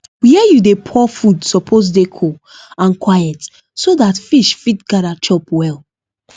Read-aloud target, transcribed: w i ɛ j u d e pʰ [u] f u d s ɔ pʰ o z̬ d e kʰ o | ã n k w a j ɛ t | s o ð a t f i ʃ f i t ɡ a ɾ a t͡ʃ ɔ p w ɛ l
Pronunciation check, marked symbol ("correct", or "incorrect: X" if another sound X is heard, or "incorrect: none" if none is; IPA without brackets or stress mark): incorrect: ɔ